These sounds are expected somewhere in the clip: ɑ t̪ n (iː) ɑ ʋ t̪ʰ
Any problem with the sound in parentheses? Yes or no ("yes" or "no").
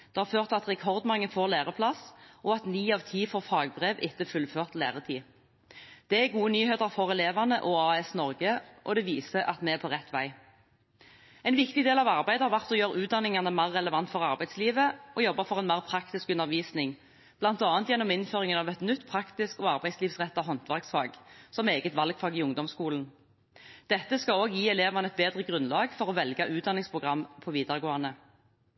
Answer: no